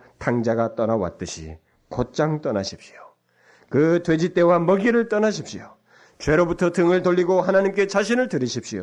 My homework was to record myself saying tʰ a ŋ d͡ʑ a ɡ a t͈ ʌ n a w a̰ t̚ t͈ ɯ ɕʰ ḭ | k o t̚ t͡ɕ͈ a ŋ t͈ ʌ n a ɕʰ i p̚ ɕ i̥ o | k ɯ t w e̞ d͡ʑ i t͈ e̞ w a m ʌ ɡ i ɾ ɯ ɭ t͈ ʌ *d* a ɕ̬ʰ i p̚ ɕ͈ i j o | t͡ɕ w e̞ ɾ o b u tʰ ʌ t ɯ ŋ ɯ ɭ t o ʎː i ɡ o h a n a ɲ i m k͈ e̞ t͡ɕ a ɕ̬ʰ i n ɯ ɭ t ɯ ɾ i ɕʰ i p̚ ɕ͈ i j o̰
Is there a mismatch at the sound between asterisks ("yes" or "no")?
yes